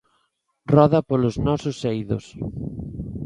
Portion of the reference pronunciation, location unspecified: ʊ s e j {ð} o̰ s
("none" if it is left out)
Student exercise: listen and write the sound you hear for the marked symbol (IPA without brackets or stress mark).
ð